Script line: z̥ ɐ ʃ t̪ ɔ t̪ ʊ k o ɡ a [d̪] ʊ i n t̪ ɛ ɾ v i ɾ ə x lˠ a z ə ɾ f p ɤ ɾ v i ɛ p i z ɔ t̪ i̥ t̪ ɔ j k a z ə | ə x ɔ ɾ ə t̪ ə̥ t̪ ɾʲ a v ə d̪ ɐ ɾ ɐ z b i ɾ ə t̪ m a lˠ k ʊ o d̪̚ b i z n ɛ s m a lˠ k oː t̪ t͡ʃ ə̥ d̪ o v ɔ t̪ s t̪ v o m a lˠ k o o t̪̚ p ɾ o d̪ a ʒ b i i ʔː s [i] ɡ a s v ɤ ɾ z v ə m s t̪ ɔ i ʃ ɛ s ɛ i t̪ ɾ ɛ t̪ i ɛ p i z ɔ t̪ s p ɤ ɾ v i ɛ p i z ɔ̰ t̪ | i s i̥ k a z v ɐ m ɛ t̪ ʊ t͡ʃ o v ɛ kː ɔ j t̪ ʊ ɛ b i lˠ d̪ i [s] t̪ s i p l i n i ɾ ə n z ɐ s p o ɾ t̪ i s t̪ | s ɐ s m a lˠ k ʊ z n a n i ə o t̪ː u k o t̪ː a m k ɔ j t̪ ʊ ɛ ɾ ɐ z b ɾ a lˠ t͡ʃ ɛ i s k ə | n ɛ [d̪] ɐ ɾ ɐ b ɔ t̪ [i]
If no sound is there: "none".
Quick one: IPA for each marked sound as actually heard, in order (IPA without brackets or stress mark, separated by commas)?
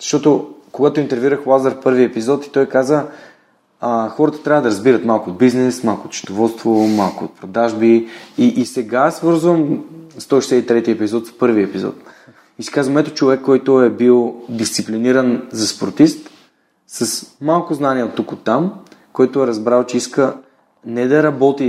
t̪, ɛ, s, d̪, i